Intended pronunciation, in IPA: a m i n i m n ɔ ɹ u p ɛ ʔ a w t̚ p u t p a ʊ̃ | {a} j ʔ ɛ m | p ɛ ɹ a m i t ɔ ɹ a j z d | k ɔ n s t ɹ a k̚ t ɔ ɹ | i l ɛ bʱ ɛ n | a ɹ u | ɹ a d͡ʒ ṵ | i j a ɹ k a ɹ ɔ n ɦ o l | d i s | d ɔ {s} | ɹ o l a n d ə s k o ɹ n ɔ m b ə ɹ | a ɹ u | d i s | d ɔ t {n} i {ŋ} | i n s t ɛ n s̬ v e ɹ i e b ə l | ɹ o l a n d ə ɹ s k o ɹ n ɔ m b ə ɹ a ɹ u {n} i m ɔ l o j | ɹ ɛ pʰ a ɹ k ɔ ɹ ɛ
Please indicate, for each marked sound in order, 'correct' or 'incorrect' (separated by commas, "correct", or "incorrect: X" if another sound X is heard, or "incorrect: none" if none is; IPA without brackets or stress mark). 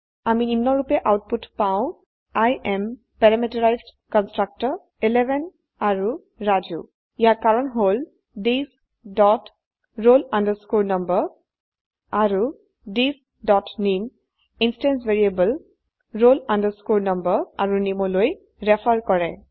correct, incorrect: t, correct, incorrect: m, correct